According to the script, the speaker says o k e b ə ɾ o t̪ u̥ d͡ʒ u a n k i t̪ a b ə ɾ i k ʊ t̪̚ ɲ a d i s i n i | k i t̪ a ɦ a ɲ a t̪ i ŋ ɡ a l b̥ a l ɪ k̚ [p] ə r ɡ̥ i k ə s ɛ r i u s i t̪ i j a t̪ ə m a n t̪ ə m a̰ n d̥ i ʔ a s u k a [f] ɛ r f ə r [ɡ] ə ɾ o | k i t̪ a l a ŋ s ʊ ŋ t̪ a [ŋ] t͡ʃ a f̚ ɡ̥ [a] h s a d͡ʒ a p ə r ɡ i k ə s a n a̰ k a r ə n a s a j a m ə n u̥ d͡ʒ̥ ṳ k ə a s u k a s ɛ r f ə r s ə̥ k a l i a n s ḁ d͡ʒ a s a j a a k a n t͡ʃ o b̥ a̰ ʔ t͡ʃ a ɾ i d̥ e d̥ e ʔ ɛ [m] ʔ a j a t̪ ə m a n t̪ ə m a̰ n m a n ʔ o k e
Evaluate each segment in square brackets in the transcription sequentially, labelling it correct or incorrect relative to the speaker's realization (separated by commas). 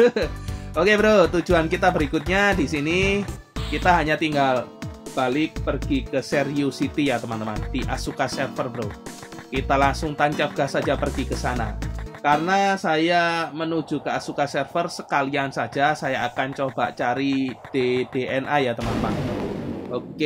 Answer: correct, incorrect, incorrect, incorrect, correct, incorrect